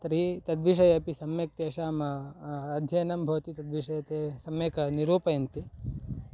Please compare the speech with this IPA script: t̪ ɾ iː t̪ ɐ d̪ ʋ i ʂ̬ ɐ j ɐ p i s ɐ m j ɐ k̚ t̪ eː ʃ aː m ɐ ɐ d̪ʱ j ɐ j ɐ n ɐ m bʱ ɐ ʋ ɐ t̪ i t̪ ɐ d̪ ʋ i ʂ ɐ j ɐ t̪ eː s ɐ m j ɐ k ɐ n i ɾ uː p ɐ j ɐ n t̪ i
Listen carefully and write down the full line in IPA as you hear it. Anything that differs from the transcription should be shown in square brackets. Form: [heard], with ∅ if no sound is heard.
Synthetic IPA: t̪ ɾ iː t̪ ɐ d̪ ʋ i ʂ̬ ɐ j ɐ p i s ɐ m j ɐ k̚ t̪ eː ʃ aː m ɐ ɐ d̪ʱ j ɐ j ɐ n ɐ m bʱ ɐ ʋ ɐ t̪ i t̪ ɐ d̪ ʋ i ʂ ɐ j ɐ t̪ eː s ɐ m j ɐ k ɐ n i ɾ uː p ɐ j ɐ n t̪ i